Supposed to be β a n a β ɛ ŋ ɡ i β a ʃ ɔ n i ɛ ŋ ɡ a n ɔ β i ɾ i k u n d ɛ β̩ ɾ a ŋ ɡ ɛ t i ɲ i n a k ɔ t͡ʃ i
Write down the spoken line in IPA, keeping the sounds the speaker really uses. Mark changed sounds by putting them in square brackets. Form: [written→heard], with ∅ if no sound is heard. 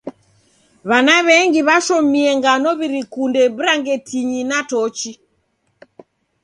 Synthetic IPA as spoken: β a n a β ɛ ŋ ɡ i β a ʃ ɔ [n→m] i ɛ ŋ ɡ a n ɔ β i ɾ i k u n d ɛ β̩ ɾ a ŋ ɡ ɛ t i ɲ i n a [k→t] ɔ t͡ʃ i